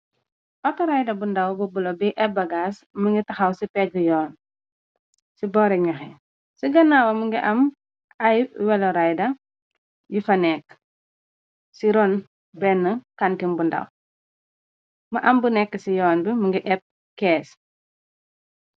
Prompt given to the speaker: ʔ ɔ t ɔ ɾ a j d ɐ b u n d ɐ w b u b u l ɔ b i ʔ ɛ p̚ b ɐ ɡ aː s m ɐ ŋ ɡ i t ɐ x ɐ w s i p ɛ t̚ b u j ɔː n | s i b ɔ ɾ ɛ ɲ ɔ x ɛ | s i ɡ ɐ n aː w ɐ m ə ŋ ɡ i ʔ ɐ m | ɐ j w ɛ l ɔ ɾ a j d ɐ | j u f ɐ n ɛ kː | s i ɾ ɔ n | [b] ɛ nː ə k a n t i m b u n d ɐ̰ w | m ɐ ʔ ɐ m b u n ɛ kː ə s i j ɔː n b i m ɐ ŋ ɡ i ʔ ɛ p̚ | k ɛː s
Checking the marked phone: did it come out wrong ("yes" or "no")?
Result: no